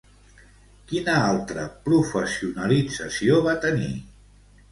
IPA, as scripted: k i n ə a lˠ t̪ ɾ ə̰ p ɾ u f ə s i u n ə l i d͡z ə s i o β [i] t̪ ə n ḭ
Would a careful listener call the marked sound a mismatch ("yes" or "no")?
yes